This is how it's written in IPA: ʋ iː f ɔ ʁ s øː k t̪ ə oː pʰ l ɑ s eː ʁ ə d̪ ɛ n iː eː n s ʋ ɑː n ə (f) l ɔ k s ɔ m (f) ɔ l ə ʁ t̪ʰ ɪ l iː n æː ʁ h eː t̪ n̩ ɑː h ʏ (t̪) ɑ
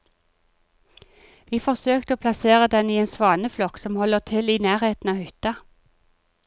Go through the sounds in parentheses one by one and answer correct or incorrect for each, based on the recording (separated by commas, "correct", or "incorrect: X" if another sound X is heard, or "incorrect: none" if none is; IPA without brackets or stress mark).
correct, incorrect: h, correct